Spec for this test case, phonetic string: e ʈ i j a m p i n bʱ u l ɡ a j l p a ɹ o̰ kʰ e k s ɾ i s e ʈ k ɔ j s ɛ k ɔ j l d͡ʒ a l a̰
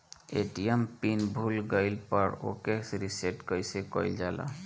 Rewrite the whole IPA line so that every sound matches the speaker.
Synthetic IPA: e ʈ i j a m p i n bʱ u l ɡ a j l p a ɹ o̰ k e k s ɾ i s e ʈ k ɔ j s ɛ k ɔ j l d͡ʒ a l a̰